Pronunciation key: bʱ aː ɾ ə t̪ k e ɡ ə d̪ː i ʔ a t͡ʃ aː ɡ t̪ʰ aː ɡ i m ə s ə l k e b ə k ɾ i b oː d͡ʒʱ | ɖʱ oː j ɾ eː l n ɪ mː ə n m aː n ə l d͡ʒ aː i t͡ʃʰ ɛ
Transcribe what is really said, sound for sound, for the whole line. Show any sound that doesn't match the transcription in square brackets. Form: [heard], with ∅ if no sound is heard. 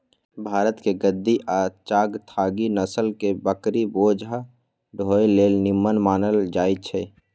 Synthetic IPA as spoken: bʱ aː ɾ ə t̪ k e ɡ ə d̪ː i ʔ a t͡ʃ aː ɡ t̪ʰ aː ɡ i [n] ə s ə l k e b ə k ɾ i b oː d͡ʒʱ | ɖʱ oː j [l] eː l n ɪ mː ə n m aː n ə l d͡ʒ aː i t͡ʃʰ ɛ